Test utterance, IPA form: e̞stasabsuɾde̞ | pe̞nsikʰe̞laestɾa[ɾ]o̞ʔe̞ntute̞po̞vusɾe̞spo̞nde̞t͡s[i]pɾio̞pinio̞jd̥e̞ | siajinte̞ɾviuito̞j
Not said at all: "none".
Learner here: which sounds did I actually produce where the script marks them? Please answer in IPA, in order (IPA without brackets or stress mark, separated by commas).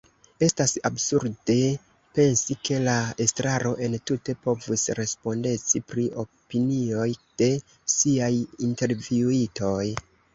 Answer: ɾ, i